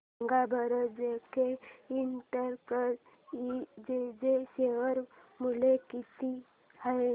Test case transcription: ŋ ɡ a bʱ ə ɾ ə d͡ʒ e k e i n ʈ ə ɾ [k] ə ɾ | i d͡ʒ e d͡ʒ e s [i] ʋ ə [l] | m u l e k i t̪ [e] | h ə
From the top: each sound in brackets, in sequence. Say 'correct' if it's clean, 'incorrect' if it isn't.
correct, incorrect: e, incorrect: ɾ, incorrect: i

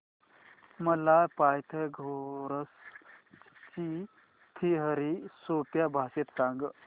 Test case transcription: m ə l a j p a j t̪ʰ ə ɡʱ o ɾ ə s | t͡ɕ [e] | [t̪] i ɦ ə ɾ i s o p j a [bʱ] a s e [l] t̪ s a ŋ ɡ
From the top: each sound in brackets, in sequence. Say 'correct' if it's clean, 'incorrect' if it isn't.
incorrect: i, incorrect: t̪ʰ, correct, incorrect: none

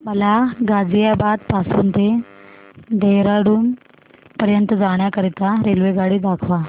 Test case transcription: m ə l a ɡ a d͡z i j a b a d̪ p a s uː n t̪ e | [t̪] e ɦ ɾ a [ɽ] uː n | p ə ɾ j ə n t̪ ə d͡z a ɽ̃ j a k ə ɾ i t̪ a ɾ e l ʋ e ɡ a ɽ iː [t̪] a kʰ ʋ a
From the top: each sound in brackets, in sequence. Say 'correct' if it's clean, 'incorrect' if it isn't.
incorrect: d̪, correct, incorrect: d̪

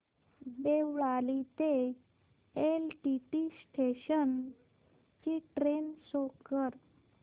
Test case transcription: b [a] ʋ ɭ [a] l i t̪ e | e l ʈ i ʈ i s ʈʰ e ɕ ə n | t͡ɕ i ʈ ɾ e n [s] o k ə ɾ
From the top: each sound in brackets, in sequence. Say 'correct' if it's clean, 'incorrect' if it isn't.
incorrect: e, correct, correct

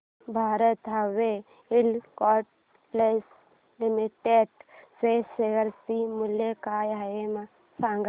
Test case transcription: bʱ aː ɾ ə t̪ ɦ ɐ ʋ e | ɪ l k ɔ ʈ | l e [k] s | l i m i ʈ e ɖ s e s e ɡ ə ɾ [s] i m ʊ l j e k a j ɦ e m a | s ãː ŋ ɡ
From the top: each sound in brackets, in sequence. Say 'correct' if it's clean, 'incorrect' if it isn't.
incorrect: none, correct

